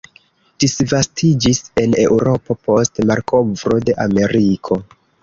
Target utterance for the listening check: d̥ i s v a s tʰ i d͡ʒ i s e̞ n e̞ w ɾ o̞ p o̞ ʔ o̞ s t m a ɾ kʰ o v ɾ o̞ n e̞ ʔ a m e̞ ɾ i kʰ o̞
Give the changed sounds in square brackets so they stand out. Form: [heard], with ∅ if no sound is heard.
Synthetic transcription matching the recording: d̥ i s v a s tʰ i d͡ʒ i s e̞ n e̞ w ɾ o̞ p o̞ [p] o̞ s t m a ɾ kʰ o v ɾ o̞ [d] e̞ ʔ a m e̞ ɾ i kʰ o̞

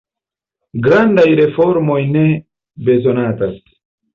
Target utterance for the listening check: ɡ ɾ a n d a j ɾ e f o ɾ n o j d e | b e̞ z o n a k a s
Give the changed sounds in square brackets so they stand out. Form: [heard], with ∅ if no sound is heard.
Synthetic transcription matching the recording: ɡ ɾ a n d a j ɾ e f o ɾ [m] o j [n] e | b e̞ z o n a [t] a s

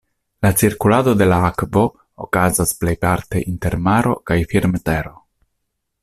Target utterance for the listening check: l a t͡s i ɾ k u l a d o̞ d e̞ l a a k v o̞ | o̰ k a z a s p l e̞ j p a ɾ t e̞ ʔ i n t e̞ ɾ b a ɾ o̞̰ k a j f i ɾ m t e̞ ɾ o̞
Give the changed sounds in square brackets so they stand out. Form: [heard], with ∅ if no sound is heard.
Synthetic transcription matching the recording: l a t͡s i ɾ k u l a d o̞ d e̞ l a a k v o̞ | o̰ k a z a s p l e̞ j p a ɾ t e̞ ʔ i n t e̞ ɾ [m] a ɾ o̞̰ k a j f i ɾ m t e̞ ɾ o̞

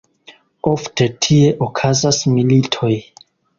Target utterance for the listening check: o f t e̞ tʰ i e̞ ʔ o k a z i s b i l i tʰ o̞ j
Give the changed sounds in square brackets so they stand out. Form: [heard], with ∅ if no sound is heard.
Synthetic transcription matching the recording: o f t e̞ tʰ i e̞ ʔ o [kʰ] a z [a] s [m] i l i tʰ o̞ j

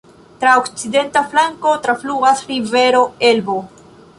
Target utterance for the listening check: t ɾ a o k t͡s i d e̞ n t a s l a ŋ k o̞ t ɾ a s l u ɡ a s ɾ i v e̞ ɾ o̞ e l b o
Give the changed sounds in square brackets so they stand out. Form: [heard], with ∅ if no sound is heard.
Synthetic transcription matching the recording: t ɾ a o k t͡s i d e̞ n t a [f] l a ŋ k o̞ t ɾ a [f] l u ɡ a s ɾ i v e̞ ɾ o̞ e l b o

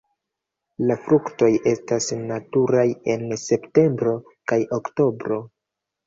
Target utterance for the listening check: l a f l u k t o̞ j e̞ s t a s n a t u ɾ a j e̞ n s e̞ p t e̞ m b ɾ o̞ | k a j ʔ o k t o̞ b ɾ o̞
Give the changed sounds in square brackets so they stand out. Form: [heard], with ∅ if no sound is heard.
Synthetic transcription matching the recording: l a f [ɾ] u k t o̞ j e̞ s t a s n a t u ɾ a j e̞ n s e̞ p t e̞ m b ɾ o̞ | k a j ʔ o k t o̞ b ɾ o̞

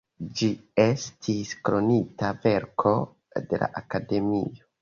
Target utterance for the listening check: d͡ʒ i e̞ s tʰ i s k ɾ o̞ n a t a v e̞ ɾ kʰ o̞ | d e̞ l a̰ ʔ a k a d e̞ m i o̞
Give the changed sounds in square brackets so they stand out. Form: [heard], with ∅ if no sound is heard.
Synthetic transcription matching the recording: d͡ʒ i e̞ s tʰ i s k ɾ o̞ n [i] t a v e̞ ɾ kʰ o̞ | d e̞ l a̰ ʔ a k a d e̞ m i o̞

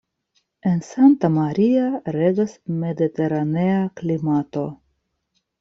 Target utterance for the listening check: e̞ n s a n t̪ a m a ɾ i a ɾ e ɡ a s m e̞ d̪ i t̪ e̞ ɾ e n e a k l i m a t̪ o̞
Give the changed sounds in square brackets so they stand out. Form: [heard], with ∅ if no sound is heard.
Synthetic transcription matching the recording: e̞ n s a n t̪ a m a ɾ i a ɾ e ɡ a s m e̞ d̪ i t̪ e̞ ɾ [a] n e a k l i m a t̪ o̞

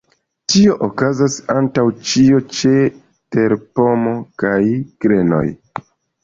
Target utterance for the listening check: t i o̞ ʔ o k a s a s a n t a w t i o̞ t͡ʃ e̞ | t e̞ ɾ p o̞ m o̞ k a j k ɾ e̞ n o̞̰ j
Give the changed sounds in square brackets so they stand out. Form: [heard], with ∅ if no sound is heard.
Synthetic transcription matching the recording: t i o̞ ʔ o k a [z] a s a n t a w [t͡ʃ] i o̞ t͡ʃ e̞ | t e̞ ɾ p o̞ m o̞ k a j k ɾ e̞ n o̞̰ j

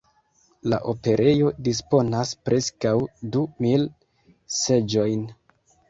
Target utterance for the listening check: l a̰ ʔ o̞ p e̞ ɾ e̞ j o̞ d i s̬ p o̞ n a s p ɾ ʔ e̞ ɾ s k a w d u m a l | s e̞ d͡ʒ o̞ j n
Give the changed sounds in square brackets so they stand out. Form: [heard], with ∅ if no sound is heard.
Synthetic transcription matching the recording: l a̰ ʔ o̞ p e̞ ɾ e̞ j o̞ d i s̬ p o̞ n a s p ɾ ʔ e̞ [∅] s k a w d u m [i] l | s e̞ d͡ʒ o̞ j n

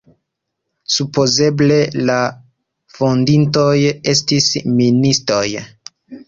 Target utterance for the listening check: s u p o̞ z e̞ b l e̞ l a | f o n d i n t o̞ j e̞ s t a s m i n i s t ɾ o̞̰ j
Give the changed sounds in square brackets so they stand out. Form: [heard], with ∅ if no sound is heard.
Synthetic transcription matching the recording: s u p o̞ z e̞ b l e̞ l a | f o n d i n t o̞ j e̞ s t [i] s m i n i s t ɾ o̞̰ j

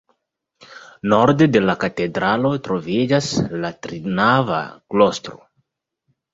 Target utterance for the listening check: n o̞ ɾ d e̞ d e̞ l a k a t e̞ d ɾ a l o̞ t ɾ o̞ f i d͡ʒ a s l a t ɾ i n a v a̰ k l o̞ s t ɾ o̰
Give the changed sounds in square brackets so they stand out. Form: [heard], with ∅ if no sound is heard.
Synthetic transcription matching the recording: n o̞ ɾ d e̞ d e̞ l a k a t e̞ d ɾ a l o̞ t ɾ o̞ [v] i d͡ʒ a s l a t ɾ i n a v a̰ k l o̞ s t ɾ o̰

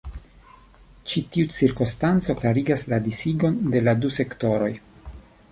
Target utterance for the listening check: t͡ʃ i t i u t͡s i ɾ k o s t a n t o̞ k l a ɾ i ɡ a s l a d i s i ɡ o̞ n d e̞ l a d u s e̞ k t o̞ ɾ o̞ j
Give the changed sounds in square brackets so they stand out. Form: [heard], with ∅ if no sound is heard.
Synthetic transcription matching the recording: t͡ʃ i t i u t͡s i ɾ k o s t a n [t͡s] o̞ k l a ɾ i ɡ a s l a d i s i ɡ o̞ n d e̞ l a d u s e̞ k t o̞ ɾ o̞ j

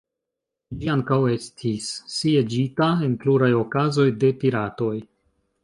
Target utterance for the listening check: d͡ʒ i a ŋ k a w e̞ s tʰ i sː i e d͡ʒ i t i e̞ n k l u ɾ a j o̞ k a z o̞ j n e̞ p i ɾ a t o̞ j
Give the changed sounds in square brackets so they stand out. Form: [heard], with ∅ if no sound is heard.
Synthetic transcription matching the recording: d͡ʒ i a ŋ k a w e̞ s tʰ i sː i e d͡ʒ i t [a] e̞ n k l u ɾ a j o̞ k a z o̞ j [d] e̞ p i ɾ a t o̞ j

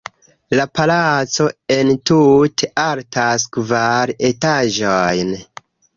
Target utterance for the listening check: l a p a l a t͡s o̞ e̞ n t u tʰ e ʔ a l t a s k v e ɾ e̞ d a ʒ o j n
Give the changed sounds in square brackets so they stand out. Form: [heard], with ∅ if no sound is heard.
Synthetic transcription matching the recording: l a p a l a t͡s o̞ e̞ n t u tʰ e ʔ a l t a s k v [a] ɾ e̞ [t] a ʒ o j n

